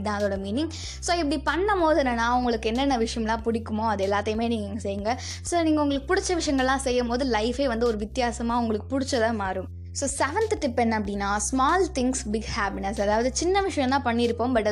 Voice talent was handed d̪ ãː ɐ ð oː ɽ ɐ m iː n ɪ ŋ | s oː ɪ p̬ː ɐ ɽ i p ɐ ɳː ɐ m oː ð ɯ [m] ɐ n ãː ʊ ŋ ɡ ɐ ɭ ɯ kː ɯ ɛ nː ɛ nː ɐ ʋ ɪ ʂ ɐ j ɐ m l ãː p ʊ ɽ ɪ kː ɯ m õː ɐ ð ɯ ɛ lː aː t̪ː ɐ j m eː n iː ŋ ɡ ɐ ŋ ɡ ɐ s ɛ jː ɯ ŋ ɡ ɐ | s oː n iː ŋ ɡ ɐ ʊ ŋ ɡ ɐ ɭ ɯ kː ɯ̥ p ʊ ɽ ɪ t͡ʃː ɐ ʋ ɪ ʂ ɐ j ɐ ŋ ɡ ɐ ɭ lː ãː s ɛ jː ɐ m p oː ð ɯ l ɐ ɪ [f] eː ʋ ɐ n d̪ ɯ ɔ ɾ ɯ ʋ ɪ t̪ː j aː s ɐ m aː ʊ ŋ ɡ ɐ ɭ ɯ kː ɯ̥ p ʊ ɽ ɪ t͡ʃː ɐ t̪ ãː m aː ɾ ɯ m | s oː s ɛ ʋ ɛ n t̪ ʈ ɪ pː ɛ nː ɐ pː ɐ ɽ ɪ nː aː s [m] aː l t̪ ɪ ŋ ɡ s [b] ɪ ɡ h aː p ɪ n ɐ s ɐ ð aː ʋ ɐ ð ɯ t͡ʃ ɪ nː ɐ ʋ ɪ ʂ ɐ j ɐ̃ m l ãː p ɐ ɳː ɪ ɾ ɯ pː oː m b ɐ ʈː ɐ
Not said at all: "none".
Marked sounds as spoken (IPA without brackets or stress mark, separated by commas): n, f, m, b